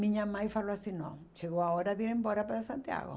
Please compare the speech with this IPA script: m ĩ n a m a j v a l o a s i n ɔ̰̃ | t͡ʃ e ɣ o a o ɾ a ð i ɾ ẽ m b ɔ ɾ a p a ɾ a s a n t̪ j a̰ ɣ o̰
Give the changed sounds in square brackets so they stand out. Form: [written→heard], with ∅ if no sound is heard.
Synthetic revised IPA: m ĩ [n→ɲ] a m a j [v→f] a l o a s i n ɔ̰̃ | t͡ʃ e ɣ o a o ɾ a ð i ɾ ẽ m b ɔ ɾ a p a ɾ a s a n t̪ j a̰ ɣ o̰